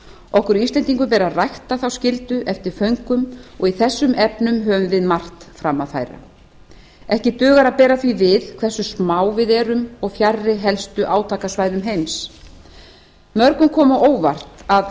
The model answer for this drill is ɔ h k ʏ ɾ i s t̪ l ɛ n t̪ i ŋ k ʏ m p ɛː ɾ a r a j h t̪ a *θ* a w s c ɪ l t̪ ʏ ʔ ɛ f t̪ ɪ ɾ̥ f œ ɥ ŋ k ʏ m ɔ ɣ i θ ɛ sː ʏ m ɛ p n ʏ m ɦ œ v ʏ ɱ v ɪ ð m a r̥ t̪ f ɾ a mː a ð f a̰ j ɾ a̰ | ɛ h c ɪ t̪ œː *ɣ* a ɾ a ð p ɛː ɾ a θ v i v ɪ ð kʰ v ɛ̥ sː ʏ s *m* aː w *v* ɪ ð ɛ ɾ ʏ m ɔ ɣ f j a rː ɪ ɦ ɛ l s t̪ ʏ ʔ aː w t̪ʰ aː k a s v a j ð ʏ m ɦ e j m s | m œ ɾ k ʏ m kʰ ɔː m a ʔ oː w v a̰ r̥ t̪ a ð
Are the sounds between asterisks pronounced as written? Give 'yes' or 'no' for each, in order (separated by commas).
yes, yes, yes, yes